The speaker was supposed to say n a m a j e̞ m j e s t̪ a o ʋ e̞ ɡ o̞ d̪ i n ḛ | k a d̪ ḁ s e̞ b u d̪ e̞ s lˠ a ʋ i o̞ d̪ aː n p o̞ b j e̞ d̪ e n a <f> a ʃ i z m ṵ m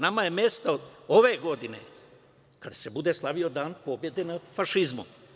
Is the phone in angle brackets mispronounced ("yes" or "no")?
no